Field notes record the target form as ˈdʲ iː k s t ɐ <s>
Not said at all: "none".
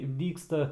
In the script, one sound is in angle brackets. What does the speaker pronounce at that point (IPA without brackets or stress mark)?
none